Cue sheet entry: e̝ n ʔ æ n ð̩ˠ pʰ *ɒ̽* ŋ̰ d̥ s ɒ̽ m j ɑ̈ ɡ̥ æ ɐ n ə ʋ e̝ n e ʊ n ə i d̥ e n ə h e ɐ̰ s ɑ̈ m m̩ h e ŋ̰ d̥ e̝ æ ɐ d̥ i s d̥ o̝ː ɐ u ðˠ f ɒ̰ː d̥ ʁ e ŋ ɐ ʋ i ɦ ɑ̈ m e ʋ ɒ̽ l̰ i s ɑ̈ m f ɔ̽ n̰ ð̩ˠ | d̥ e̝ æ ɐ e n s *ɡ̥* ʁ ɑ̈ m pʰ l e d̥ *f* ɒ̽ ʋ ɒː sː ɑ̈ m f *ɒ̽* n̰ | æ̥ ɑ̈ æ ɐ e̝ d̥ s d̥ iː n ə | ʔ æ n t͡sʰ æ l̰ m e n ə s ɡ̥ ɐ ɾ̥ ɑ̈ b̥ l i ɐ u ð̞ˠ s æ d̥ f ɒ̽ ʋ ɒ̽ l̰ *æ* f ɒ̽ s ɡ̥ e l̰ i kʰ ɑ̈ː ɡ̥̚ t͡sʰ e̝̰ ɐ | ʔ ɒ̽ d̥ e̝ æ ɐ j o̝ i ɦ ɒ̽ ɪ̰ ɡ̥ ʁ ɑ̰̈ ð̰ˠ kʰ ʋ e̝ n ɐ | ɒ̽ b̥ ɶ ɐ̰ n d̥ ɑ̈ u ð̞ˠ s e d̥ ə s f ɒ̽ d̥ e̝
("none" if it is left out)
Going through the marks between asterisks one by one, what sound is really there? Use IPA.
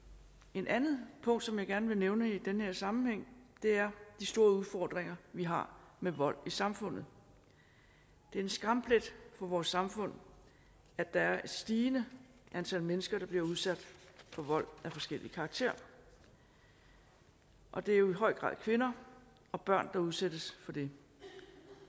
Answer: ɔ̽, ɡ̥, f, ɔ̽, æ

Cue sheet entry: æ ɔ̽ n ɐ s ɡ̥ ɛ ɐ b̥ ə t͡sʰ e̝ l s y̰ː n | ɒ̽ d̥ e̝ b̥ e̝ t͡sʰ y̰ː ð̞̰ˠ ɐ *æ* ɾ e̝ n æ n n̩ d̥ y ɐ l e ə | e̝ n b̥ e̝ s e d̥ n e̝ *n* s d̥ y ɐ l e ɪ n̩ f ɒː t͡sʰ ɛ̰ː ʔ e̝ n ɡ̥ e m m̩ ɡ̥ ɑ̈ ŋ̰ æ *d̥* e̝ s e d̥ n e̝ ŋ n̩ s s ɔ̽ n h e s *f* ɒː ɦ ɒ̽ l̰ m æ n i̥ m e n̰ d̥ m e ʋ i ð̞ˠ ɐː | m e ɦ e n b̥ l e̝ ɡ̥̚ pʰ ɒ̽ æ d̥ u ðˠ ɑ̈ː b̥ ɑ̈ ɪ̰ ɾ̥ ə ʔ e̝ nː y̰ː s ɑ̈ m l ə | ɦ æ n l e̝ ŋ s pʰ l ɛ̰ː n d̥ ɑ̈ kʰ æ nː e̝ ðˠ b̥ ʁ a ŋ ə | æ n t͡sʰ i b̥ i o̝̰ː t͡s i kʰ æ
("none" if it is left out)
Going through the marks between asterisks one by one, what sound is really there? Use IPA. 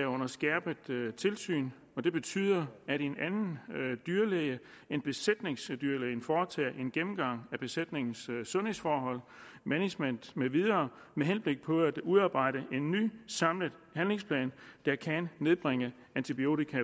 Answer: æ, ŋ, b̥, f

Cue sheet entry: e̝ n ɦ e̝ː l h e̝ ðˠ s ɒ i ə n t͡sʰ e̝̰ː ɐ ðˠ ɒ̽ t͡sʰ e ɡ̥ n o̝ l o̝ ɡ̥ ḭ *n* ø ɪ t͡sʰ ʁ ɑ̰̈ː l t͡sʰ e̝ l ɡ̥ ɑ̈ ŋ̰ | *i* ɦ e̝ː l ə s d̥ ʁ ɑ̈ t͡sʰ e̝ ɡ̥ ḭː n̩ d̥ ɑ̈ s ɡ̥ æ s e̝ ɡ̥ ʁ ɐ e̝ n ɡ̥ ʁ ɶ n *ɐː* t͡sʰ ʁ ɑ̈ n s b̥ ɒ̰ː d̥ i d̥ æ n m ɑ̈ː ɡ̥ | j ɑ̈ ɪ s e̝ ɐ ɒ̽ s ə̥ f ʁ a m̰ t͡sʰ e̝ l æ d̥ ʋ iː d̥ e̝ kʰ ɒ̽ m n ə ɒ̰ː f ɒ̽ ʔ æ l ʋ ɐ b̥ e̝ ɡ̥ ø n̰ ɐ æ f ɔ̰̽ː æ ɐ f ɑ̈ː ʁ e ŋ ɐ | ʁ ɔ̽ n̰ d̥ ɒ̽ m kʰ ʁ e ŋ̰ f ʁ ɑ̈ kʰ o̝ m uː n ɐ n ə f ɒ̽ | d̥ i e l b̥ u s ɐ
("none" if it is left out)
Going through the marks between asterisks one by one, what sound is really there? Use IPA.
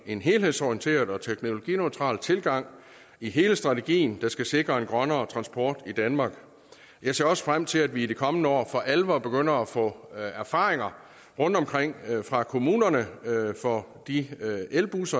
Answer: n, i, ɐː

